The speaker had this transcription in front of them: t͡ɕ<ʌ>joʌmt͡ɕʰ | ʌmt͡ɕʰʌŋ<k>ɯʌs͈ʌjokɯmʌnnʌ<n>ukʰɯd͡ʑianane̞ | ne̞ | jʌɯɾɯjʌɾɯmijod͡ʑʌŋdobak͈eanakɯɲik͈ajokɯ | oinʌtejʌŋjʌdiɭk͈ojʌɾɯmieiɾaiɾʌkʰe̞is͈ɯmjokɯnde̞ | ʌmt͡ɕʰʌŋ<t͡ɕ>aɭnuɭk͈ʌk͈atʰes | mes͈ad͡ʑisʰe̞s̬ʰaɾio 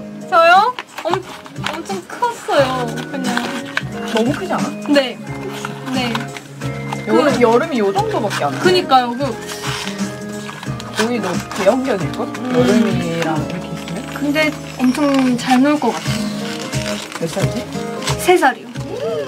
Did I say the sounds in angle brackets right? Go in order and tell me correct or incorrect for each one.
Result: correct, incorrect, incorrect, correct

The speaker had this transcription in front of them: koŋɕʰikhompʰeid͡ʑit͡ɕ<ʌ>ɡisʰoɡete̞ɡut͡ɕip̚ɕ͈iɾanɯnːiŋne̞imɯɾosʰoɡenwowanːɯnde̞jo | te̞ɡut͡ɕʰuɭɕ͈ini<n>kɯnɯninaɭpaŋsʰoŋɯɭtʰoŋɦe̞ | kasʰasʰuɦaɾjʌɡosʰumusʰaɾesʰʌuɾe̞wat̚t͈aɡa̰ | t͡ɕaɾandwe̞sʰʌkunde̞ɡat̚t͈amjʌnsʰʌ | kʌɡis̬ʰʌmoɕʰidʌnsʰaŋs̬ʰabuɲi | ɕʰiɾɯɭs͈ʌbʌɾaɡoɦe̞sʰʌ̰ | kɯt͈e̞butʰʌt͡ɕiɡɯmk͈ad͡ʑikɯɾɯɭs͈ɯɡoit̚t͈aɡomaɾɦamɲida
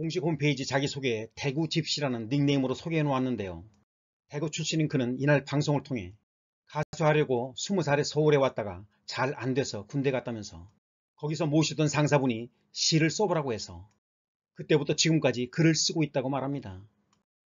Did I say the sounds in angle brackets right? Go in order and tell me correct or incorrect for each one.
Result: incorrect, correct

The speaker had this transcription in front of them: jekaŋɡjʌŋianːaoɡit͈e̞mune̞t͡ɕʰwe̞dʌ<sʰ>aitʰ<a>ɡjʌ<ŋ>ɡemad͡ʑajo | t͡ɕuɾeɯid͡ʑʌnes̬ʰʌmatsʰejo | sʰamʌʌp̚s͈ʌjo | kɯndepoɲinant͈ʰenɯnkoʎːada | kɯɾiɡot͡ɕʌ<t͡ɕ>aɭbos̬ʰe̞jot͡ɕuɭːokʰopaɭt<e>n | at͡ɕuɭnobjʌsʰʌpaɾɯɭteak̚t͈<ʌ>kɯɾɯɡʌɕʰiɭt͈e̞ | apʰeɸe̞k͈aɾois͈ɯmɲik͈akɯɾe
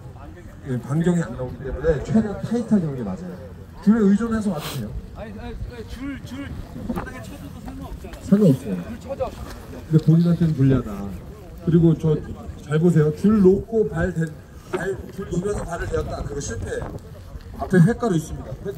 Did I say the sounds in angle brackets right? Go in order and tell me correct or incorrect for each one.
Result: incorrect, correct, correct, correct, correct, incorrect

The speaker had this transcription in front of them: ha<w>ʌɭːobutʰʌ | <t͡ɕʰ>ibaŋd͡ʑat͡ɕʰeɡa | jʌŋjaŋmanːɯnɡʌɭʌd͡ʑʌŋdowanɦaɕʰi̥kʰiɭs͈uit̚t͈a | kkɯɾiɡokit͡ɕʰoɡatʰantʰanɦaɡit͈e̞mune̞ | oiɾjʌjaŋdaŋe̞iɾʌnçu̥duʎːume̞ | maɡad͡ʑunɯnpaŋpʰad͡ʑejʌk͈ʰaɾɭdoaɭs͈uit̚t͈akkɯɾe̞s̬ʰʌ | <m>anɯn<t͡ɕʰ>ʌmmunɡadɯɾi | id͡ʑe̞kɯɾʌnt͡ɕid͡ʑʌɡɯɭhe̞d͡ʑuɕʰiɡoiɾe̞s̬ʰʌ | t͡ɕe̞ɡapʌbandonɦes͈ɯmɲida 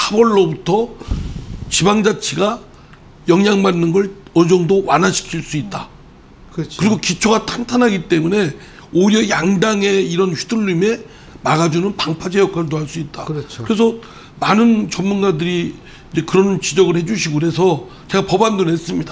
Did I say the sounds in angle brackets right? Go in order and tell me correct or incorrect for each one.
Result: incorrect, incorrect, correct, incorrect

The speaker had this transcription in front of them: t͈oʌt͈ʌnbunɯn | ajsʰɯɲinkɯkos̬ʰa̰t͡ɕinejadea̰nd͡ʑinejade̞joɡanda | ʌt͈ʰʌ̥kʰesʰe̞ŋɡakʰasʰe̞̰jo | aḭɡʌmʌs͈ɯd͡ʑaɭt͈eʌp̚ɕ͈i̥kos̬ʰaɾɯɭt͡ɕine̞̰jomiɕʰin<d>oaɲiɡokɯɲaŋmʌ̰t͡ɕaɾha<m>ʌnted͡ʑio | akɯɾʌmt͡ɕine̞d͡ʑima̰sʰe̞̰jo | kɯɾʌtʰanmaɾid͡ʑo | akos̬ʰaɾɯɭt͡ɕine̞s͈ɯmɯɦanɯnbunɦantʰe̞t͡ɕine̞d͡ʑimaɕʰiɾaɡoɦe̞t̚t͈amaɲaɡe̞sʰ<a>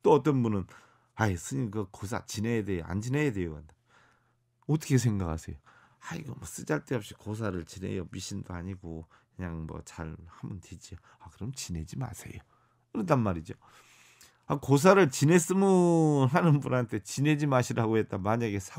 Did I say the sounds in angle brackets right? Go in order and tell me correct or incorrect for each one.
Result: correct, correct, correct

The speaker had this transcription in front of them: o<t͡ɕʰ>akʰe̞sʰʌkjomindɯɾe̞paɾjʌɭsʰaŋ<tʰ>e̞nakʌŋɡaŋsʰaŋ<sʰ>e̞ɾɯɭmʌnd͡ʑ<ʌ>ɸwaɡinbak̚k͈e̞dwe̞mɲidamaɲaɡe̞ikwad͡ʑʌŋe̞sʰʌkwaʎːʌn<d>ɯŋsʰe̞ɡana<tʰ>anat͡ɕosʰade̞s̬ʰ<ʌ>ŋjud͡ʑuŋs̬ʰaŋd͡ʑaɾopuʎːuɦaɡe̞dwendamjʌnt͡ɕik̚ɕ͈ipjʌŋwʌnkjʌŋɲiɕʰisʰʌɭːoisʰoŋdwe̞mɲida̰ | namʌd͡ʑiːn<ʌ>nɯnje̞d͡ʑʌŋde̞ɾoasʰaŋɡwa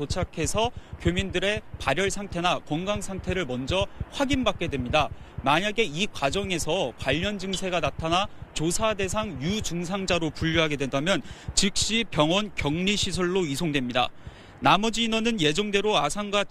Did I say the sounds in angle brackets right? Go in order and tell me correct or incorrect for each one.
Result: correct, correct, incorrect, correct, incorrect, correct, incorrect, correct

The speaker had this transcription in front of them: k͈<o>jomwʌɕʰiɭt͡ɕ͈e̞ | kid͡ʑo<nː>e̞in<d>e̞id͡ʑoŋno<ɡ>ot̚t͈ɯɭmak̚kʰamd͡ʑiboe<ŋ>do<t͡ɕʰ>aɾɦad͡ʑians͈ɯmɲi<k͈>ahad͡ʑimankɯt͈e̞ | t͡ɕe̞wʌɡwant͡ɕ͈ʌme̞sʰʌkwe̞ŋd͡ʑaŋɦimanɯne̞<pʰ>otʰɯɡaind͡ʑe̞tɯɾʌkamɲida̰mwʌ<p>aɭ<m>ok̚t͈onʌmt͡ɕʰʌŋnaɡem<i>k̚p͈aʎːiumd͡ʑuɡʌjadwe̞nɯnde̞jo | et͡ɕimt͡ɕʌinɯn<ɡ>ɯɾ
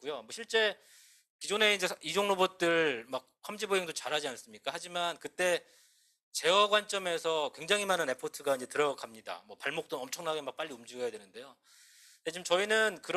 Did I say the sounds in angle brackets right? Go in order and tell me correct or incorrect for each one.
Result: incorrect, incorrect, incorrect, incorrect, correct, incorrect, correct, correct, correct, correct, incorrect, incorrect

